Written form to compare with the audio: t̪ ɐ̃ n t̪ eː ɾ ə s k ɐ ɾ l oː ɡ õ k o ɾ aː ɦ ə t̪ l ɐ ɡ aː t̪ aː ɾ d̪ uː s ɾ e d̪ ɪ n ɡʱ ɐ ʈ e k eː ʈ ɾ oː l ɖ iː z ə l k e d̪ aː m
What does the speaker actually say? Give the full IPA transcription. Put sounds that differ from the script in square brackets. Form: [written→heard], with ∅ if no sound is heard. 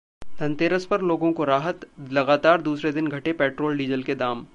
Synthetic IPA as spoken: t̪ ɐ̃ n t̪ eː ɾ ə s [k→p] ɐ ɾ l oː ɡ õ k o ɾ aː ɦ ə t̪ l ɐ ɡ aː t̪ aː ɾ d̪ uː s ɾ e d̪ ɪ n ɡʱ ɐ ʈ e [k→p] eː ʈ ɾ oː l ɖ iː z ə l k e d̪ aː m